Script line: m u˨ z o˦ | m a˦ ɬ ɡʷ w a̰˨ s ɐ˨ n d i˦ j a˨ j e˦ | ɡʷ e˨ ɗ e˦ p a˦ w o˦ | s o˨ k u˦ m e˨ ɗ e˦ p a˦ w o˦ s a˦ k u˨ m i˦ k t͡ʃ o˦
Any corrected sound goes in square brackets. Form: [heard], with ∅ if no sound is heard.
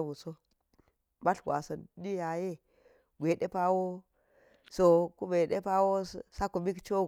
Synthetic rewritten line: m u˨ [s] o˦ | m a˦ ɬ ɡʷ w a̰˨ s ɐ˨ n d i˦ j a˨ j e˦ | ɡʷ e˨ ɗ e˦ p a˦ w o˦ | s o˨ k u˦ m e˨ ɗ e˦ p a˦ w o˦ s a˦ k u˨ m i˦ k t͡ʃ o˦